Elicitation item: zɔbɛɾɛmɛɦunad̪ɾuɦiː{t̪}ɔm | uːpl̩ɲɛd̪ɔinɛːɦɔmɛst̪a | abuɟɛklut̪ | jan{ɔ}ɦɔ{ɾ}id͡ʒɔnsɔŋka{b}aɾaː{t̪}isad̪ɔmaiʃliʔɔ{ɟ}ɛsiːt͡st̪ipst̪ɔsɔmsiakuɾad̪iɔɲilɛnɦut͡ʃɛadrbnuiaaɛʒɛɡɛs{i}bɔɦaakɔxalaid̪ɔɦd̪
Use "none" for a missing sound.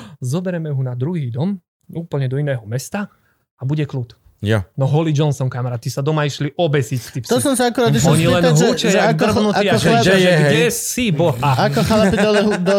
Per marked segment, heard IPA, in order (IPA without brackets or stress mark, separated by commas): d̪, ɔ, l, m, t̪, b, i